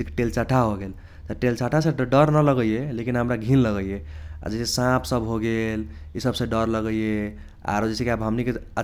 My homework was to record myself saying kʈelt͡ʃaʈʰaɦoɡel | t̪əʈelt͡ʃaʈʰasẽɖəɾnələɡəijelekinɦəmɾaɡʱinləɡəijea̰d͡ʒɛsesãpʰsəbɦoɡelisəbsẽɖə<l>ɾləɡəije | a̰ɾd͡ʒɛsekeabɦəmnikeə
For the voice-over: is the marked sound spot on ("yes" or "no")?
no